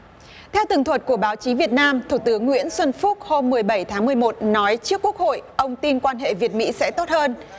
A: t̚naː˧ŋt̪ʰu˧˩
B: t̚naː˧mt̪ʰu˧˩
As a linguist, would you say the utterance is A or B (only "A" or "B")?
B